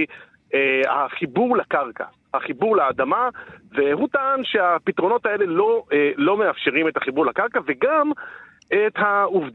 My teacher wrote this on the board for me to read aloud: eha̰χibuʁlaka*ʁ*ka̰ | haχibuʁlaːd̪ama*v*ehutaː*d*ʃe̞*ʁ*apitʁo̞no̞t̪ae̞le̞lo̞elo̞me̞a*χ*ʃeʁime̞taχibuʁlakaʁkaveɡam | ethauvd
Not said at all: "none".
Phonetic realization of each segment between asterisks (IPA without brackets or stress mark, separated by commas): ʁ, v, n, none, f